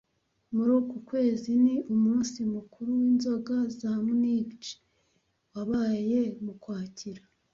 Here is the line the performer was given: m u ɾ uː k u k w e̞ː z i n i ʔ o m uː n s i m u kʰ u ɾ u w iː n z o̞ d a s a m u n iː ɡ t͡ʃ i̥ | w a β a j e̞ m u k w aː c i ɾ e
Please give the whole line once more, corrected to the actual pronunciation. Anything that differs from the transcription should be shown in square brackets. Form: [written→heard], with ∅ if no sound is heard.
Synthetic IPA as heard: m u ɾ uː k u k w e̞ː z i n i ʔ [o→u] m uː n s i m u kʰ u ɾ u w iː n z o̞ [d→ɡ] a [s→z] a m u n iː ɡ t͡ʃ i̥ | w a β a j e̞ m u k w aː c i ɾ [e→a]